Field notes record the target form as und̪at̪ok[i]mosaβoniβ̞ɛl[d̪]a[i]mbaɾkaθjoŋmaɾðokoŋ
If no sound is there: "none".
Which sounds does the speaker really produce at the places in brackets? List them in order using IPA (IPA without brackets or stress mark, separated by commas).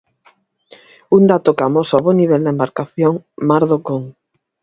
a, d̪, e